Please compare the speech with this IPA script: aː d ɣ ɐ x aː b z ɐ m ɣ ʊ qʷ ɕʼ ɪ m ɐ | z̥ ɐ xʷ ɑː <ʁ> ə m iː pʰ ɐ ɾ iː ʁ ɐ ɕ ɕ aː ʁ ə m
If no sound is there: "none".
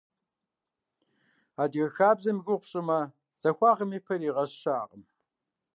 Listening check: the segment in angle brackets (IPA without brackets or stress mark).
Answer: ʁ